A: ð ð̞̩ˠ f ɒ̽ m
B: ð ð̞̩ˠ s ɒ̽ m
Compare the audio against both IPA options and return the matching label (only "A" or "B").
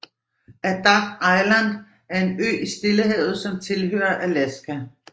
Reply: B